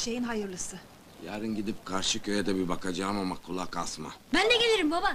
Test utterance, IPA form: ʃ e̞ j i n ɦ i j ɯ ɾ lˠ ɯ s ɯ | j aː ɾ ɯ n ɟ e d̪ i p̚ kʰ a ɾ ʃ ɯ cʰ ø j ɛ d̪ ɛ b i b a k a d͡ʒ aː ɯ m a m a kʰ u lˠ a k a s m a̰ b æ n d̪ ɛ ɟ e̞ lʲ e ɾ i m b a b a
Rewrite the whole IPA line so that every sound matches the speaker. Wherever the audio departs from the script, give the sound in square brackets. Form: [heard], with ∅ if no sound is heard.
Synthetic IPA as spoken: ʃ e̞ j i n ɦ [a] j ɯ ɾ lˠ ɯ s ɯ | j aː ɾ ɯ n ɟ [i] d̪ i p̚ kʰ a ɾ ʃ ɯ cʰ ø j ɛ d̪ ɛ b i b a k a d͡ʒ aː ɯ m a m a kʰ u lˠ a k a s m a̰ b æ n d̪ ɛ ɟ e̞ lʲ e ɾ i m b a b a

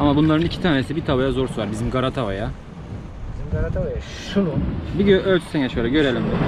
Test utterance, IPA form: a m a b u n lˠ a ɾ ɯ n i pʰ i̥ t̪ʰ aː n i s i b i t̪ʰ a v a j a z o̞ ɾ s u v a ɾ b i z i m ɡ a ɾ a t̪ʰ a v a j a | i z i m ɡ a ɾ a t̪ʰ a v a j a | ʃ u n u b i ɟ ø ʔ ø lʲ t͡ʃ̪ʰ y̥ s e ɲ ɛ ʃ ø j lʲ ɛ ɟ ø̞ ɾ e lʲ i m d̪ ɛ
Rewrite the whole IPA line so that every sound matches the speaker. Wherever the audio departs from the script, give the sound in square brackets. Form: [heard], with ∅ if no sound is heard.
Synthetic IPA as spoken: a m a b u n lˠ a ɾ ɯ n i [cʰ] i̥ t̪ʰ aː n [e] s i b i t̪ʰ a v a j a z o̞ ɾ s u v a ɾ b i z i m ɡ a ɾ a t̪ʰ a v a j a | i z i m ɡ a ɾ a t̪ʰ a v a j a | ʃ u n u b i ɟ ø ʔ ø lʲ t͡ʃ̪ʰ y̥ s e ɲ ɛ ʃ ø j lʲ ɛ ɟ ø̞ ɾ e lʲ i m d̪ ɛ

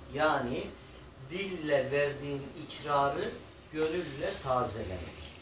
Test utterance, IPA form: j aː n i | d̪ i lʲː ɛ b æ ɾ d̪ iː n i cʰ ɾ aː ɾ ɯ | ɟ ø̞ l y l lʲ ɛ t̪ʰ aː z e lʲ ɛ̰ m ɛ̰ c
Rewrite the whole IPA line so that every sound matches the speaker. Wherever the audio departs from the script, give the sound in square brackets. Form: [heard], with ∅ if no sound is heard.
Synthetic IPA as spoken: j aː n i | d̪ i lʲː ɛ [v] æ ɾ d̪ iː n i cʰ ɾ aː ɾ ɯ | ɟ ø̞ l y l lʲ ɛ t̪ʰ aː z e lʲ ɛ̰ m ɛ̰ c

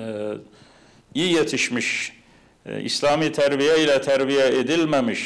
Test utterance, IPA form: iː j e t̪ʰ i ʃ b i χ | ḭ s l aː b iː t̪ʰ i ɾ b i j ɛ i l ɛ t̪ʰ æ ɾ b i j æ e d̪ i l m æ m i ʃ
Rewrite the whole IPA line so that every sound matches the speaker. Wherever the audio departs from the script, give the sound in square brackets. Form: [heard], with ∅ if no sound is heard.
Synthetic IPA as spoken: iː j e t̪ʰ i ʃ [m] i [ʃ] | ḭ s l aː [m] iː t̪ʰ [æ] ɾ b i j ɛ i l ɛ t̪ʰ æ ɾ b i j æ e d̪ i l m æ m i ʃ

